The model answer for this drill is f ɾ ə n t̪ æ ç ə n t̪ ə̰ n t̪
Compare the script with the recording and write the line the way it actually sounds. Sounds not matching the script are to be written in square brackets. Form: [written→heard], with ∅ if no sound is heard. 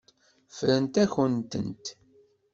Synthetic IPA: f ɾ ə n t̪ æ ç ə n t̪ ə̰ n t̪